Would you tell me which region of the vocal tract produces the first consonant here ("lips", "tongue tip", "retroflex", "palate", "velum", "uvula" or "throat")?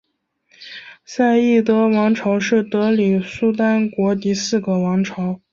tongue tip